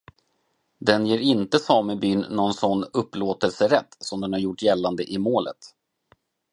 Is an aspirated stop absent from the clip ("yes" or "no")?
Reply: yes